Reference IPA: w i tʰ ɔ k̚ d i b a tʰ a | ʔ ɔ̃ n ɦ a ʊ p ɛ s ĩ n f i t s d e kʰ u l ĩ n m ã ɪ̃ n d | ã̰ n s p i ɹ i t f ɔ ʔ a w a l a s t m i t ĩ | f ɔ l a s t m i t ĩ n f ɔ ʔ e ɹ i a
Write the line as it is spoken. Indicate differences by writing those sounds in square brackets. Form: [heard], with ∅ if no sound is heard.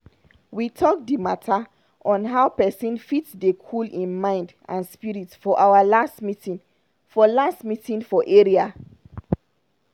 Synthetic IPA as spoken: w i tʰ ɔ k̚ d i [m] a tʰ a | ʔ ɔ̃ n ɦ a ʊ p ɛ s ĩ n f i t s d e kʰ u l ĩ n m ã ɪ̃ n d | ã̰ n s p i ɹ i t f ɔ ʔ a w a l a s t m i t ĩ | f ɔ l a s t m i t ĩ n f ɔ ʔ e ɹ i a